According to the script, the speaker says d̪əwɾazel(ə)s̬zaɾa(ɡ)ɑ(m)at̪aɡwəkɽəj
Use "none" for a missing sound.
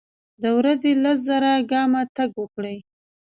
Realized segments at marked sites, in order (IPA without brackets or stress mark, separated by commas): a, ɡ, m